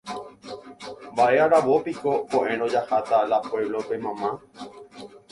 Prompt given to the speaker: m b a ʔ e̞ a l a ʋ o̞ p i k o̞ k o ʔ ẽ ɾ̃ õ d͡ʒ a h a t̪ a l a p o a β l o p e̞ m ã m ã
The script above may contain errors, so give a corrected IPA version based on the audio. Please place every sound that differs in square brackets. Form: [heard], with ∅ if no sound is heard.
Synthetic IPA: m b a ʔ e̞ a [ɾ] a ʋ o̞ p i k o̞ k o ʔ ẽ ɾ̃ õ d͡ʒ a h a t̪ a l a p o [e] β l o p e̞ m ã m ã